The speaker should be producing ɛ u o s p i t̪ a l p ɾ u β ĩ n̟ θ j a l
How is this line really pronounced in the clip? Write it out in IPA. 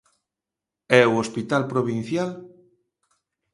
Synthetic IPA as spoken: ɛ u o s p i t̪ a l p ɾ o β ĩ n̟ θ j a l